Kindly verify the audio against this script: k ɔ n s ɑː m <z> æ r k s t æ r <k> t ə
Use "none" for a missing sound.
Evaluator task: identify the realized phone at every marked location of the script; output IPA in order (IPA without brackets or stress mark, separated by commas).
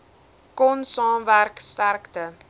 v, k